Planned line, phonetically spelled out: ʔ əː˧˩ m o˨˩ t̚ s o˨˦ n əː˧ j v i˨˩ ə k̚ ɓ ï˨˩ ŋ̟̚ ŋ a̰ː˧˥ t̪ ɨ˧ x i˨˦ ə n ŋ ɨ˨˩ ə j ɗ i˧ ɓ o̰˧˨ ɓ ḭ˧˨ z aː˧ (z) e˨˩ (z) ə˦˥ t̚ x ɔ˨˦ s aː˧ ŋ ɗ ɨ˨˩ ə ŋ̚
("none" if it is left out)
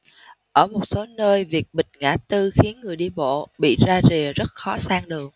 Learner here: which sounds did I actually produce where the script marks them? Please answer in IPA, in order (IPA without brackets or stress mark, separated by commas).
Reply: z, z